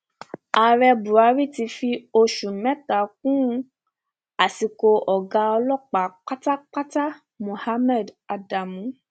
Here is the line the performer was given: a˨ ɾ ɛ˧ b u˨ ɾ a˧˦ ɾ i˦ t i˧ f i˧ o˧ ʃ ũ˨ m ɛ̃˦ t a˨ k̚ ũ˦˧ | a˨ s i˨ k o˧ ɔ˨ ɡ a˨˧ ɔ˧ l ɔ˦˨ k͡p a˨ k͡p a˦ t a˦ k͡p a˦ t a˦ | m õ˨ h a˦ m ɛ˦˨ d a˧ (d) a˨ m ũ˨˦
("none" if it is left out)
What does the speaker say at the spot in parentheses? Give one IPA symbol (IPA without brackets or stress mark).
d